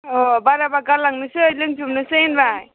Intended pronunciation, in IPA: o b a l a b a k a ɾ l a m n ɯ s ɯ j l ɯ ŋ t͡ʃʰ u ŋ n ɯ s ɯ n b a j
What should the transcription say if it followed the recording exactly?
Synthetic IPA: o b a ɾ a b a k a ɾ l a ŋ n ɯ s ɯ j l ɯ ŋ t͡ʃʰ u m n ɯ s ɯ n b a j